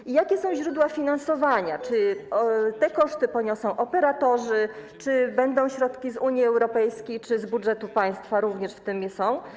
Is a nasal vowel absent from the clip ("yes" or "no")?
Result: no